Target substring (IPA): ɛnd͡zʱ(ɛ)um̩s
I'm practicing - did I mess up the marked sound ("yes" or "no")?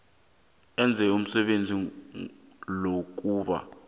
no